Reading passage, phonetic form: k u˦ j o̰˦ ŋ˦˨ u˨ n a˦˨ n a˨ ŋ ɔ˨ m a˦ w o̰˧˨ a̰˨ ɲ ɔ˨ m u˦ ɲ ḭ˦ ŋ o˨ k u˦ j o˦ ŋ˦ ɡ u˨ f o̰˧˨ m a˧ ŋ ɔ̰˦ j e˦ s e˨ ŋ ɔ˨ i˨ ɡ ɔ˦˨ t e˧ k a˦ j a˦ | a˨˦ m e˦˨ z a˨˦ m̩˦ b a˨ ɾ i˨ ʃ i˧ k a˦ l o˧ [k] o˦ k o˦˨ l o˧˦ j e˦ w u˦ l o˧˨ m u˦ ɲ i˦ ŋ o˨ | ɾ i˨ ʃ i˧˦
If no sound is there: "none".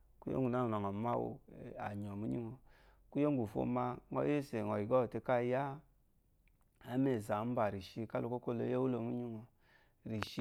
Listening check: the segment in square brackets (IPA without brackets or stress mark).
k